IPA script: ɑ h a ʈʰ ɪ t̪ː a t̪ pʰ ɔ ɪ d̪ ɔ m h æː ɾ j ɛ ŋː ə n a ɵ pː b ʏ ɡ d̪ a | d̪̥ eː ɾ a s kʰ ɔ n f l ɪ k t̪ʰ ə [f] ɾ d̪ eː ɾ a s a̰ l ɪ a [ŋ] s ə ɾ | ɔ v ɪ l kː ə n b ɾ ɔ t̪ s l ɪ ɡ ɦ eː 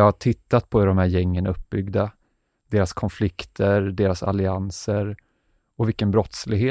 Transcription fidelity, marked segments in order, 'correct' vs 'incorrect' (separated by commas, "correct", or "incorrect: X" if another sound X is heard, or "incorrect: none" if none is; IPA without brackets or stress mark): incorrect: none, incorrect: n